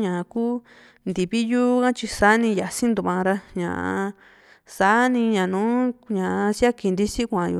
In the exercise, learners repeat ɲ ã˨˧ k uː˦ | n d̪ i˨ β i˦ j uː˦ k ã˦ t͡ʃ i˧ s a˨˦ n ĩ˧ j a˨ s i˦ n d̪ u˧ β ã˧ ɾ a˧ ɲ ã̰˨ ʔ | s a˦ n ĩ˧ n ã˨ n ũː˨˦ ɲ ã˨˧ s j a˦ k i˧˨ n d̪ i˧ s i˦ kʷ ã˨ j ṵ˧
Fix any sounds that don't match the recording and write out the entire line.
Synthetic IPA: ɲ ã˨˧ k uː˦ | n d̪ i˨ β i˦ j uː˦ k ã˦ t͡ʃ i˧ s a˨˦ n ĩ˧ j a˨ s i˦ n d̪ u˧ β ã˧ ɾ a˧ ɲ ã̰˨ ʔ | s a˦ n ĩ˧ ɲ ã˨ n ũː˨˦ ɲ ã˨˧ s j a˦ k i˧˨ n d̪ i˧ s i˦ kʷ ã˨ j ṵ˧